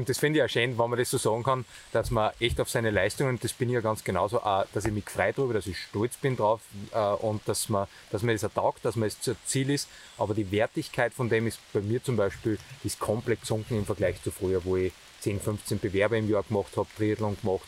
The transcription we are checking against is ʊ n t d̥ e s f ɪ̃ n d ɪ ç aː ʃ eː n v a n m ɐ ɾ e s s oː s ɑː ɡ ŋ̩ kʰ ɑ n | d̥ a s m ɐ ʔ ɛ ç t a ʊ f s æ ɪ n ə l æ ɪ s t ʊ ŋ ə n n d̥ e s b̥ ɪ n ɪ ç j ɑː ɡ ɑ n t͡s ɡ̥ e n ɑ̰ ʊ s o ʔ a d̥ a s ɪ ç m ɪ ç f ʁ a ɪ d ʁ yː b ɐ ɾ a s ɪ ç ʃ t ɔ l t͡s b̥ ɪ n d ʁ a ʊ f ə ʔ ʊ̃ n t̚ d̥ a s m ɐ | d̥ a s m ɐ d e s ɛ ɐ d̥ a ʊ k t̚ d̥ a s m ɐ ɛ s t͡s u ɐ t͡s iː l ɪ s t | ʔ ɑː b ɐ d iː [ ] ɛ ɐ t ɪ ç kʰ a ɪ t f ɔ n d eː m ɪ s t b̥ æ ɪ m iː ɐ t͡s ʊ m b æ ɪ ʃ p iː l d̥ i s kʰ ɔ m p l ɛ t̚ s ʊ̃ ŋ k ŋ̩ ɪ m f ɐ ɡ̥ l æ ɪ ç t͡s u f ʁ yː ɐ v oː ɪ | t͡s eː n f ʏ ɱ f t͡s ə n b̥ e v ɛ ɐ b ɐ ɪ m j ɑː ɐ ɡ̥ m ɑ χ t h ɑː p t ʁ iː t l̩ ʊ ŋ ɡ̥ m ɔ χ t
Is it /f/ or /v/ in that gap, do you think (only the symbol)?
v